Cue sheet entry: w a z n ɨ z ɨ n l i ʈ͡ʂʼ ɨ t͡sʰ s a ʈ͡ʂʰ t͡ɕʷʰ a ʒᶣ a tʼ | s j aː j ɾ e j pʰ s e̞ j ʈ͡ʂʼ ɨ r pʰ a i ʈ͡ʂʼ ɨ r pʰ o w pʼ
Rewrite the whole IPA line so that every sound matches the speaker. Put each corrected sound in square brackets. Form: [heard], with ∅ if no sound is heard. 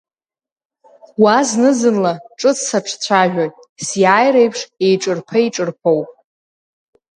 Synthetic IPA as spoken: w a z n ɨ z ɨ n l [a] ʈ͡ʂʼ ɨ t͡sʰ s a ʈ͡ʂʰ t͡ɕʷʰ a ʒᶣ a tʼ | s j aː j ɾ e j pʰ [ʂ] e̞ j ʈ͡ʂʼ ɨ r pʰ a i ʈ͡ʂʼ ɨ r pʰ o w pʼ